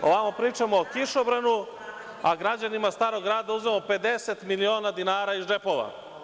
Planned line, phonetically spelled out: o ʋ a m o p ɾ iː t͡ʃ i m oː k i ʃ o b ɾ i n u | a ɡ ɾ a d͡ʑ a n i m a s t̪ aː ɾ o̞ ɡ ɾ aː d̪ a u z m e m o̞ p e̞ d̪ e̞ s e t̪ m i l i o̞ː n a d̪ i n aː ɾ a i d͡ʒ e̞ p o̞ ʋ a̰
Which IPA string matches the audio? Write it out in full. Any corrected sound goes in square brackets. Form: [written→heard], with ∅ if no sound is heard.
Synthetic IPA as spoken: o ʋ a m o p ɾ iː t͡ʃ [i→a] m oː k i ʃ o b ɾ [i→a] n u | a ɡ ɾ a d͡ʑ a n i m a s t̪ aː ɾ o̞ ɡ ɾ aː d̪ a u z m e m o̞ p e̞ d̪ e̞ s e t̪ m i l i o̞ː n a d̪ i n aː ɾ a i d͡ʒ e̞ p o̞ ʋ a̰